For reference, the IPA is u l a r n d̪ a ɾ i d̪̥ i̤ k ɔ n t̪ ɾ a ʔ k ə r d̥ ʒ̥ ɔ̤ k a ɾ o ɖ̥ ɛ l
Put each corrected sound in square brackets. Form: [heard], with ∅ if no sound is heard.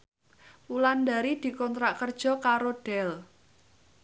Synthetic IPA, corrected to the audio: u l a [∅] n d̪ a ɾ i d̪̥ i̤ k ɔ n t̪ ɾ a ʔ k ə r d̥ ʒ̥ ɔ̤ k a ɾ o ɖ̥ ɛ l